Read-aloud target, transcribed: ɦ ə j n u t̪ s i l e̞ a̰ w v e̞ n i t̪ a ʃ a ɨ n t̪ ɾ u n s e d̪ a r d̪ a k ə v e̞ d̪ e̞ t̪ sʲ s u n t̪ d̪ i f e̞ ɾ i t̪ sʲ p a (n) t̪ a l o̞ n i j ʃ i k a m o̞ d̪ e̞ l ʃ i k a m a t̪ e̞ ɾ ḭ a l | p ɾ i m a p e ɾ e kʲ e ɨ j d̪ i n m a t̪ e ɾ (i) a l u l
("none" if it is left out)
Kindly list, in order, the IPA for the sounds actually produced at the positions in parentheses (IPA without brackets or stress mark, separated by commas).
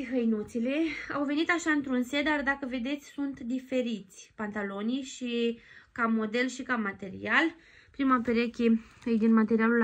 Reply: n, i